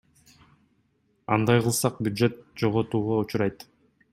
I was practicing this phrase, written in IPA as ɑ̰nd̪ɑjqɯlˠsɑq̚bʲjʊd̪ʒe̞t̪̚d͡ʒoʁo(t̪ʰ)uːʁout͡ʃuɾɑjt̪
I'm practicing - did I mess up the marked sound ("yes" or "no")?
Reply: yes